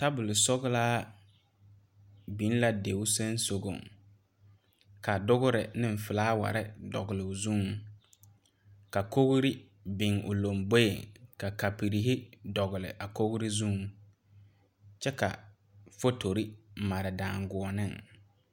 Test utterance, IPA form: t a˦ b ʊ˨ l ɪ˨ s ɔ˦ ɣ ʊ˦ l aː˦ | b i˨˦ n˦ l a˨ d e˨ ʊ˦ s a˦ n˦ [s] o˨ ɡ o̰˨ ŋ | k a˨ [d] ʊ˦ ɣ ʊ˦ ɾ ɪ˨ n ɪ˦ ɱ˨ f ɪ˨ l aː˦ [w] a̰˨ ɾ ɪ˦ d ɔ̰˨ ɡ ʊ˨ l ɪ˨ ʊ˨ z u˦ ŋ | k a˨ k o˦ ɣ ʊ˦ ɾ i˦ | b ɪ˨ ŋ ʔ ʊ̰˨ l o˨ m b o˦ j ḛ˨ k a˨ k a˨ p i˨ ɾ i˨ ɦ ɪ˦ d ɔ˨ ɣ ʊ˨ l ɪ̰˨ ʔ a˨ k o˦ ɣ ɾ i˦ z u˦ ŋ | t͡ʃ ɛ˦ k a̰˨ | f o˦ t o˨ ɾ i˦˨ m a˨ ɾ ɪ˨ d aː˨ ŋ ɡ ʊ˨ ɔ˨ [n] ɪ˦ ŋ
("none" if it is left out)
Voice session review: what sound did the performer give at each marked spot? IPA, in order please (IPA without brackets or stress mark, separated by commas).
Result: s, d, w, n